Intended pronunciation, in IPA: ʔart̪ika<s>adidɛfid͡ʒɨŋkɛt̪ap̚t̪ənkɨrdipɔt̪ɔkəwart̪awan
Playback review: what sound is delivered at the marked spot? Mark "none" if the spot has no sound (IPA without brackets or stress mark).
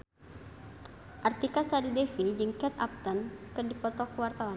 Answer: s